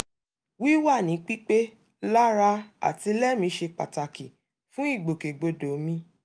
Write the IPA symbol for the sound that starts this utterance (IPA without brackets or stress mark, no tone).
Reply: w